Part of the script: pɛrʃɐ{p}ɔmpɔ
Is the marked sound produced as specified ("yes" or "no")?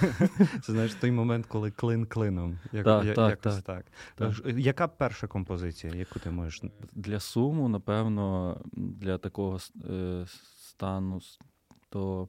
no